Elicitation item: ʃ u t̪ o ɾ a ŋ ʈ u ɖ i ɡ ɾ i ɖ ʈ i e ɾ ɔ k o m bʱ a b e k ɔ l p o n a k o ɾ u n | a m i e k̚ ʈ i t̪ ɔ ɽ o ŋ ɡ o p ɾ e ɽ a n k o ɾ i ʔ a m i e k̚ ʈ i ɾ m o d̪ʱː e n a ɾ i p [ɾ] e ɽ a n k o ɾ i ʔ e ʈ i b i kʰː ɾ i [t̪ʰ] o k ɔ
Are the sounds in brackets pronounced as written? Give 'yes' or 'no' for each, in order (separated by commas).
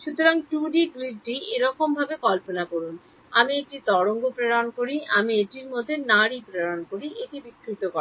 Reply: yes, no